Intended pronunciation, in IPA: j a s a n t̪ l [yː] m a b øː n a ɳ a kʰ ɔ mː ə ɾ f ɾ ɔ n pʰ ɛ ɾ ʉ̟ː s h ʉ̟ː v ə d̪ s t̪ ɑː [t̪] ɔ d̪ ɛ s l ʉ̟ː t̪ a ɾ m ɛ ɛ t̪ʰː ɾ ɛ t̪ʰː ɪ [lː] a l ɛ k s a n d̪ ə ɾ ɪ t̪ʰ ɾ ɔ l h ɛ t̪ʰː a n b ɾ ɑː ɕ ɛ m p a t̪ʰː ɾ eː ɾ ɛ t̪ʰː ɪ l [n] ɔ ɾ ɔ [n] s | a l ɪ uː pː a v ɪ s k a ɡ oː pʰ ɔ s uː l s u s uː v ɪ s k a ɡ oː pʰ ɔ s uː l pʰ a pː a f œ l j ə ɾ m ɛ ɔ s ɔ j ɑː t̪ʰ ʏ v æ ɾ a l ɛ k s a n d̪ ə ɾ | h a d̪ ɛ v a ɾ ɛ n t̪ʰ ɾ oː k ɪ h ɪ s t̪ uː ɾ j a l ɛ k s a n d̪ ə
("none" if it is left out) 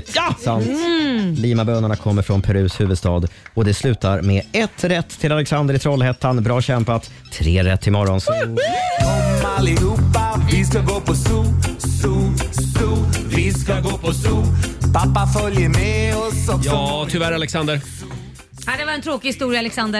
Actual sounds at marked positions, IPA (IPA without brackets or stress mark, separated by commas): iː, d̪, l, m, n